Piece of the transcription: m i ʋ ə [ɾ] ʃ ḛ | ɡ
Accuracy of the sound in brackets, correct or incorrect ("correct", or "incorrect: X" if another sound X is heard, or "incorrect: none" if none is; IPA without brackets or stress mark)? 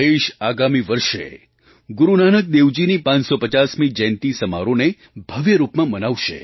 correct